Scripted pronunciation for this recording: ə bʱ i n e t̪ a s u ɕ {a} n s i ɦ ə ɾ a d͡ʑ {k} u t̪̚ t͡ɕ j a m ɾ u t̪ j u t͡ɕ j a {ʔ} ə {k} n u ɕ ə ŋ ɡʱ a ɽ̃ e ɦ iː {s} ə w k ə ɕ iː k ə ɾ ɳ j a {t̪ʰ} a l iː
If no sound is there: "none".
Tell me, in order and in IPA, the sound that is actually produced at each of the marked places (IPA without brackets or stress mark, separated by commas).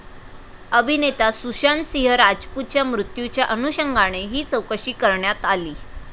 a, p, ʔ, none, t͡s, t̪